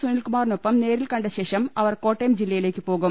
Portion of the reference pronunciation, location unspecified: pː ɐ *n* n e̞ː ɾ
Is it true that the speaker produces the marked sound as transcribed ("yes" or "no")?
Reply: no